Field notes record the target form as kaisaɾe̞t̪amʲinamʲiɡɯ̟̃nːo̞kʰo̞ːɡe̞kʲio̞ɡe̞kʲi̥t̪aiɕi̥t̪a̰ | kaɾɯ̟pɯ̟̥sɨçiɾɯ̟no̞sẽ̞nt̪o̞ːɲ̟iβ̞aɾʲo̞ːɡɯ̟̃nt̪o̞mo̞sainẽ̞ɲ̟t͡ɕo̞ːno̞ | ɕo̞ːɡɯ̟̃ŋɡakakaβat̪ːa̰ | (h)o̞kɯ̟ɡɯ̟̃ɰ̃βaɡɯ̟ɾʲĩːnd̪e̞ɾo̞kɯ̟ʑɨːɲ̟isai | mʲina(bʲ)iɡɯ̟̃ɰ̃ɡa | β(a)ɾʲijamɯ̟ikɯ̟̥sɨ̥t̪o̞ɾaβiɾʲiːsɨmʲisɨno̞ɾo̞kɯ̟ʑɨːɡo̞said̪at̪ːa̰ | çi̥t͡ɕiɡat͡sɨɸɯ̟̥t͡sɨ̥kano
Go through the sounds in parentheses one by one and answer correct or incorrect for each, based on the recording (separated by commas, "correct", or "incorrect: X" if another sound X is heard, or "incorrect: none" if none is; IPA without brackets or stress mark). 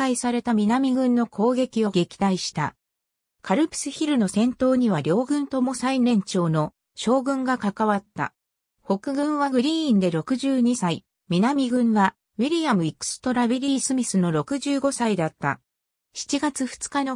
correct, incorrect: mʲ, incorrect: i